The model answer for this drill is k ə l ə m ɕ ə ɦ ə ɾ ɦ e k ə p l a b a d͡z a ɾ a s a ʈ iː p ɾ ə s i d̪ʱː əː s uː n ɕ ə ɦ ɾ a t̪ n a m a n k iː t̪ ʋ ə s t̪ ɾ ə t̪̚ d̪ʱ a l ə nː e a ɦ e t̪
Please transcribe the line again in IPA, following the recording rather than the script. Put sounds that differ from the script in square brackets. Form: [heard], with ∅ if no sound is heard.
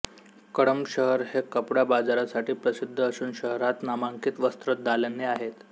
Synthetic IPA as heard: k ə [ɽ] ə m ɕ ə ɦ ə ɾ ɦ e k ə p [ɽ] a b a d͡z a ɾ a s a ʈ iː p ɾ ə s i d̪ʱː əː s uː n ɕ ə ɦ ɾ a t̪ n a m a [ŋ] k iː t̪ ʋ ə s t̪ ɾ ə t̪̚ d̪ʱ a l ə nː e a ɦ e t̪

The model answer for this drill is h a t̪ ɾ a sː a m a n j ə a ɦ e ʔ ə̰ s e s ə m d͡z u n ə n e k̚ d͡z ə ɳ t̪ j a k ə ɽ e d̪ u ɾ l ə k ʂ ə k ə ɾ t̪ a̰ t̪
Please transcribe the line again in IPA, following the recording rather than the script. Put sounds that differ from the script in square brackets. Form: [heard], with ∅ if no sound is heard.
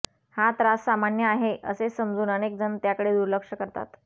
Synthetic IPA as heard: h a t̪ ɾ a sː a m a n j ə a ɦ e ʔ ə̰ s e s ə m d͡z [uː] n ə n e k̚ d͡z ə [n] t̪ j a k ə ɽ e d̪ u ɾ l ə k ʂ ə k ə ɾ t̪ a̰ t̪

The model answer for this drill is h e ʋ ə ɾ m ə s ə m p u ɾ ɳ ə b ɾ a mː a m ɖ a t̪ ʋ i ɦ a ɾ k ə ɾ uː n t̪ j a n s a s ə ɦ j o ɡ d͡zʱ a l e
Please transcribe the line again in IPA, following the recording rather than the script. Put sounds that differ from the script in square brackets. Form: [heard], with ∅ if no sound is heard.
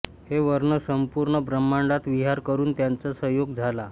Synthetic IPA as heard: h e ʋ ə ɾ [ɳ] ə s ə m p u ɾ ɳ ə b ɾ [ə] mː a [ɳ] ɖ a t̪ ʋ i ɦ a ɾ k ə ɾ uː n t̪ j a n [t͡s] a s ə ɦ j o ɡ d͡zʱ a l [a]

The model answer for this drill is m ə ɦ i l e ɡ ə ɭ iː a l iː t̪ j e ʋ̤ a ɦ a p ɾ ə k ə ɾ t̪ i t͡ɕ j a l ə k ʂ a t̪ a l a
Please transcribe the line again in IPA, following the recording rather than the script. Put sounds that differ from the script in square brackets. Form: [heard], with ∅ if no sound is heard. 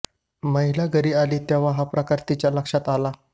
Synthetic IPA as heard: m ə ɦ i l [a] ɡ ə [ɾ] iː a l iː t̪ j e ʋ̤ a ɦ a p ɾ ə k [a] ɾ t̪ i t͡ɕ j a l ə k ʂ a t̪ a l a

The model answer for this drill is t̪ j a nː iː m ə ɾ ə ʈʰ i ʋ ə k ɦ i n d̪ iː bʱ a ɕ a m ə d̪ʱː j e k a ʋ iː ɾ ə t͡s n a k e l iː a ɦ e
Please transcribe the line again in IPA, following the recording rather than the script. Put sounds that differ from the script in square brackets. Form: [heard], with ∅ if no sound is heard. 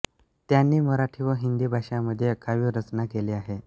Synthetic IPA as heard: t̪ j a nː iː m ə ɾ [a] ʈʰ i ʋ ə [∅] ɦ i n d̪ iː bʱ a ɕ a m ə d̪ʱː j e k a ʋ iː ɾ ə t͡s n a k e l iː a ɦ e

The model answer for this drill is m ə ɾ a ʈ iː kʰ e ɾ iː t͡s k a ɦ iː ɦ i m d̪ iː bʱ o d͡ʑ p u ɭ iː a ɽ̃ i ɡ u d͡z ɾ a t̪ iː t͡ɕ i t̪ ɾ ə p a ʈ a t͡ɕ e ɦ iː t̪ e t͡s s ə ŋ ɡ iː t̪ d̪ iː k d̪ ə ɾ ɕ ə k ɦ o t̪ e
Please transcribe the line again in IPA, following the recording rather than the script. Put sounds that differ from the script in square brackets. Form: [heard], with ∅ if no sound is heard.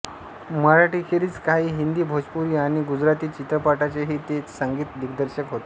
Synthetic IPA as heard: m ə ɾ a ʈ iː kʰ e ɾ iː t͡s k a ɦ iː ɦ i [n] d̪ iː bʱ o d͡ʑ p u [ɾ] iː a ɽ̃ i ɡ u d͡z ɾ a t̪ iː t͡ɕ i t̪ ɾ ə p a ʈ a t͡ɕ e ɦ iː t̪ e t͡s s ə ŋ ɡ iː t̪ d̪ [i] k d̪ ə ɾ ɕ ə k ɦ o t̪ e

